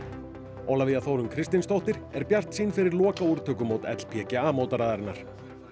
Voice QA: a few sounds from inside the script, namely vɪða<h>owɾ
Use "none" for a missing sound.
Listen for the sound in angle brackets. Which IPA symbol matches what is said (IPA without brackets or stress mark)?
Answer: θ